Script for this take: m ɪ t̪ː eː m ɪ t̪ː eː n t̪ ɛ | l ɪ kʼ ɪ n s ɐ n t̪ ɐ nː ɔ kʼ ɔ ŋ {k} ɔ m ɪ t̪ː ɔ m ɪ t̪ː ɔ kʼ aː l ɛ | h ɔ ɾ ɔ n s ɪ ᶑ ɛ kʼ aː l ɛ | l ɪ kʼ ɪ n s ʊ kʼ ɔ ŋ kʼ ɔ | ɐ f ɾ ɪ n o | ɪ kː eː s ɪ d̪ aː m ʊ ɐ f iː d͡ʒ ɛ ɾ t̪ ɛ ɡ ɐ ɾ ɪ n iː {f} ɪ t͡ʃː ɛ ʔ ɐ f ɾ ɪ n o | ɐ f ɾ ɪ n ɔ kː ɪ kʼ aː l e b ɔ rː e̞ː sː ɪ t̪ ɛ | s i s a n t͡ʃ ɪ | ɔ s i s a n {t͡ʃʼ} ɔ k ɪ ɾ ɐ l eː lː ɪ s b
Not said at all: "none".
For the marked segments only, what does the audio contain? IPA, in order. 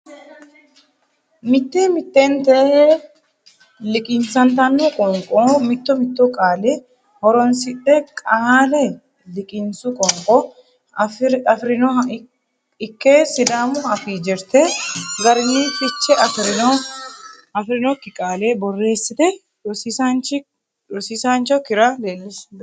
kʼ, f, t͡ʃ

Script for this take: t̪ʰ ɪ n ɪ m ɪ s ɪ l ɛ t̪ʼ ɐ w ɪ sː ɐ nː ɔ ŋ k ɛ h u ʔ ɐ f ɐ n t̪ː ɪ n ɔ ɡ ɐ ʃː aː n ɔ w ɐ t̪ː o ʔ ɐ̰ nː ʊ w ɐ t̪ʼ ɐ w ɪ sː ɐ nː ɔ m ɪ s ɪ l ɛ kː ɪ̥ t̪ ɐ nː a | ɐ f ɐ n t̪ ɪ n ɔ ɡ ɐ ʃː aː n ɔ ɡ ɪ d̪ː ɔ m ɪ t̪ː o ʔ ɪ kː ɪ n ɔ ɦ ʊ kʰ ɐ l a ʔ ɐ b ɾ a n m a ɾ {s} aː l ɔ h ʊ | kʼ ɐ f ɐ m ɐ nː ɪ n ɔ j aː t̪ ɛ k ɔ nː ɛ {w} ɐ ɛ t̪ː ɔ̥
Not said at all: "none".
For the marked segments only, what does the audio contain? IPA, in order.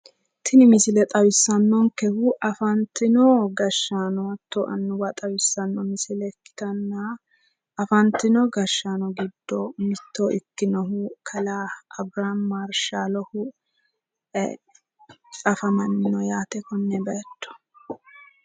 ʃ, b

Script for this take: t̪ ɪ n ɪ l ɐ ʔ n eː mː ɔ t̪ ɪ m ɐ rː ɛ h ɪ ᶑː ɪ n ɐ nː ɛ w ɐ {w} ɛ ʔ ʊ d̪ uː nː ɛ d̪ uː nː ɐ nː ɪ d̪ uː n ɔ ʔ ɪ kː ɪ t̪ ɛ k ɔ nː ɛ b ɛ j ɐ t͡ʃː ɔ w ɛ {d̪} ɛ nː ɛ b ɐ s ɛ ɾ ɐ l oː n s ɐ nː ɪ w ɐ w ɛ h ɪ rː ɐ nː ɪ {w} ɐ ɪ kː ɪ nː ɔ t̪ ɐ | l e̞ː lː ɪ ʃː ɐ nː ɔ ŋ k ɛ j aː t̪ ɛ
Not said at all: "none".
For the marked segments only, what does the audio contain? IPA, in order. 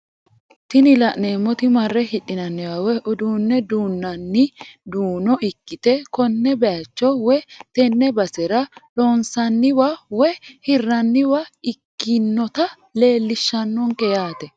w, t̪, w

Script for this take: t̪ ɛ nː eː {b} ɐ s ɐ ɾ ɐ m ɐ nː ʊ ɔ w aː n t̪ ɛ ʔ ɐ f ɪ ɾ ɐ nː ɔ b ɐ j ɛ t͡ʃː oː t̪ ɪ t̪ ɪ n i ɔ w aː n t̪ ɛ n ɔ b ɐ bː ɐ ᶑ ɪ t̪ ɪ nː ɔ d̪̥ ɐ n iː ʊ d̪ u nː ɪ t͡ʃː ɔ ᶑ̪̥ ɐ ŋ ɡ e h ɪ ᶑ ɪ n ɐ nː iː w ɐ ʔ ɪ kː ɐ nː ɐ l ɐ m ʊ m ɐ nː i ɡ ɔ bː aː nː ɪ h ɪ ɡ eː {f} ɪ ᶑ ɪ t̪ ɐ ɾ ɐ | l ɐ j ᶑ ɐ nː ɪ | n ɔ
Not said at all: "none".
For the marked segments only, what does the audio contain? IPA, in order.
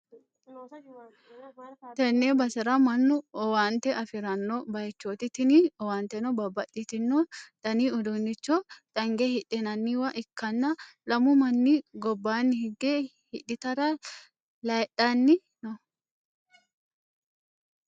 b, h

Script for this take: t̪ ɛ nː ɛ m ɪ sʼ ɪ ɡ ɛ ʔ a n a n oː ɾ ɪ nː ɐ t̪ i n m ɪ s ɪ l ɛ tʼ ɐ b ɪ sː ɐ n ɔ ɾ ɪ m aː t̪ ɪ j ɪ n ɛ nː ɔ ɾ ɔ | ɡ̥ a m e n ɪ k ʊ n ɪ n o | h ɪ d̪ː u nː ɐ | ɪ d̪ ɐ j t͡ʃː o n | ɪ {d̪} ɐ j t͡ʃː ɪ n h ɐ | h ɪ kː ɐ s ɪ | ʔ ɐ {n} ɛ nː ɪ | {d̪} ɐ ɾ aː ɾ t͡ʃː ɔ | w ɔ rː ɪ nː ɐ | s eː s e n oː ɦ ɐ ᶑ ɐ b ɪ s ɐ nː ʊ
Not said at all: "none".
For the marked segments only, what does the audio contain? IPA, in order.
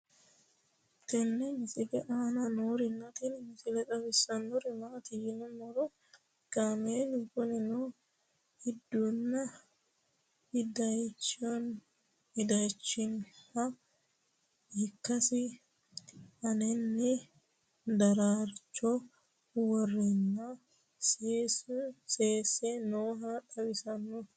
d̪, n, d̪

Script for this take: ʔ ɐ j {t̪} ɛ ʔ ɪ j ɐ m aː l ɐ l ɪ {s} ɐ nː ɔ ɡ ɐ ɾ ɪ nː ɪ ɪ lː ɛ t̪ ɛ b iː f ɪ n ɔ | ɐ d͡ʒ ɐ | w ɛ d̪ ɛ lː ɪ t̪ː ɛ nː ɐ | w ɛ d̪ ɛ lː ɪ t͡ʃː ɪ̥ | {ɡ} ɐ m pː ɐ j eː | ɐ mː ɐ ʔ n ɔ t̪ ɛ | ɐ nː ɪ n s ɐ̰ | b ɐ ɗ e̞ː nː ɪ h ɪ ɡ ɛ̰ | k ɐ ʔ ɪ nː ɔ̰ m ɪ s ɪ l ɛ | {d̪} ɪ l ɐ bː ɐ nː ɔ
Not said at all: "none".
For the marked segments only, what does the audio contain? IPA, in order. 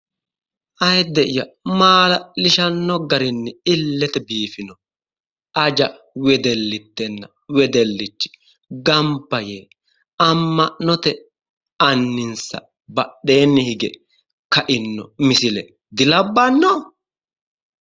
d̪, ʃ, ɡ, d̪

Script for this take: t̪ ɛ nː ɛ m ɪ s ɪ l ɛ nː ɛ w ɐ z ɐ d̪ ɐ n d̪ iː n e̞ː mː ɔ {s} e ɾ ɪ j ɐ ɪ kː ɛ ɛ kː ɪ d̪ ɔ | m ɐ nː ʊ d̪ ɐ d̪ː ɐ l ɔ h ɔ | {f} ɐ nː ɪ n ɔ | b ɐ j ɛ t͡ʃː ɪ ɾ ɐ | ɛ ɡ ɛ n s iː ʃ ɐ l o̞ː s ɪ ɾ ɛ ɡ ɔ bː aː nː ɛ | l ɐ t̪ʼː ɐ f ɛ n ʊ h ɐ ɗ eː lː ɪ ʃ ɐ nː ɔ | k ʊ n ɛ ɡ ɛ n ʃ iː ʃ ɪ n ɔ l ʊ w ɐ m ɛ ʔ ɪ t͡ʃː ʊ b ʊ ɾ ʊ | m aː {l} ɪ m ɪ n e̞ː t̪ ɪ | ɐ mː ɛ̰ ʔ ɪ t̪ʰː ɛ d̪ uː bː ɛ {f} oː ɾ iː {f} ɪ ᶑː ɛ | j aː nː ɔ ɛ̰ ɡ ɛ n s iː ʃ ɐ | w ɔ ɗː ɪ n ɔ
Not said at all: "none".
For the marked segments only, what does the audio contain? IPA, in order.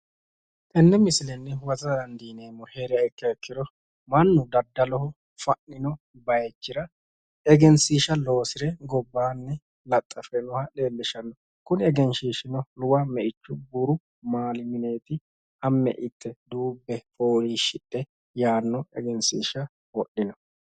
h, f, l, f, ʃ

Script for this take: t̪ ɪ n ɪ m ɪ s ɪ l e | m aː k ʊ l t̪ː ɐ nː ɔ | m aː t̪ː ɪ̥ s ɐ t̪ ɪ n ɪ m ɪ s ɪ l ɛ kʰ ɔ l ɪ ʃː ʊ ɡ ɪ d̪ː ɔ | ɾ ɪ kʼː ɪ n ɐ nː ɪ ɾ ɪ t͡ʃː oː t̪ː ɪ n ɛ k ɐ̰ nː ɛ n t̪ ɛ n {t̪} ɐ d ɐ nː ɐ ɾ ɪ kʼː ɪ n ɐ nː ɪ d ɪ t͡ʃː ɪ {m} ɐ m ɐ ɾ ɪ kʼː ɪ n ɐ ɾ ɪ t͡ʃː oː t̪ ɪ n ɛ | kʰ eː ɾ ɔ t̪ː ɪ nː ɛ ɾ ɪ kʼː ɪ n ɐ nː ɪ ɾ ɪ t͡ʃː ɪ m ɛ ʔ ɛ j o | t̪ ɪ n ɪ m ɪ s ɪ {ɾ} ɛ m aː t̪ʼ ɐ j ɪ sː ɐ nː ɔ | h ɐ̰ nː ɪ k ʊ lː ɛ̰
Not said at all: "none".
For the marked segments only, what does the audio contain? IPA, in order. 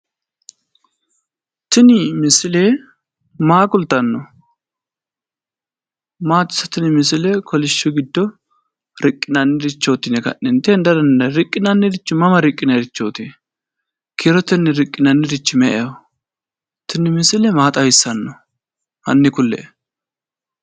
d̪, m, l

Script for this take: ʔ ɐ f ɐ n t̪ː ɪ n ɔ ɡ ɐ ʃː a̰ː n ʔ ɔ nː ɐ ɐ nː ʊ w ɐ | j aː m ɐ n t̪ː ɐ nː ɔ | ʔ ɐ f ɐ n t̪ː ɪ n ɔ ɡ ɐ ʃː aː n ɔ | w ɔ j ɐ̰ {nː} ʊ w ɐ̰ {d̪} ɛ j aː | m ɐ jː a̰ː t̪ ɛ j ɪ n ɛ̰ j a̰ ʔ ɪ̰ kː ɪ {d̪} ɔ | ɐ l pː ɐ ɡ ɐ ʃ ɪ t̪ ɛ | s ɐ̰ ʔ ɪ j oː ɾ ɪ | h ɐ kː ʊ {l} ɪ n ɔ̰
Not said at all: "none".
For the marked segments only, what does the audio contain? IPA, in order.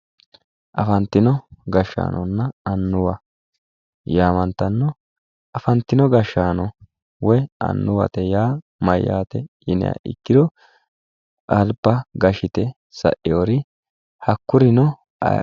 nː, t̪, d̪, ɾ

